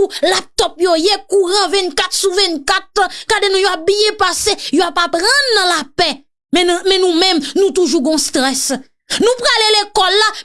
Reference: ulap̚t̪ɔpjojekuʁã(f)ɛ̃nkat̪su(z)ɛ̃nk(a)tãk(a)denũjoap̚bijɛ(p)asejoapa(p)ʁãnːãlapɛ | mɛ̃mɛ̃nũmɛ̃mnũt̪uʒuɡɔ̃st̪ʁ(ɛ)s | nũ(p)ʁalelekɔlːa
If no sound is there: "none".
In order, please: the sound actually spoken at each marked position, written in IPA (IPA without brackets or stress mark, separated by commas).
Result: v, v, a, a, p, p, ɛ, p